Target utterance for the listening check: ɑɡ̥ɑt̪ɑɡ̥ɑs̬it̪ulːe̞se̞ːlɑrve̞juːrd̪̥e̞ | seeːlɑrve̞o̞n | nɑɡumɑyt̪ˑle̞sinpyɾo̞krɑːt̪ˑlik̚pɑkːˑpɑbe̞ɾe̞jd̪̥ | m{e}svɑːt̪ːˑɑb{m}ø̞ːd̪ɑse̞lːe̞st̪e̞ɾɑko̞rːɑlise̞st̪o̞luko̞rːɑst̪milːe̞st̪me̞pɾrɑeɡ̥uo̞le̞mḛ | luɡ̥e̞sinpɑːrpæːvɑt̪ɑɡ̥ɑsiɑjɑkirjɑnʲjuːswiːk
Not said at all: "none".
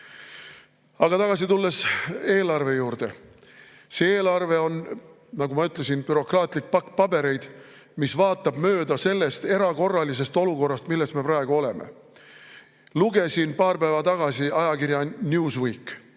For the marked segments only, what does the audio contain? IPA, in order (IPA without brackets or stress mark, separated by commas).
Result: i, m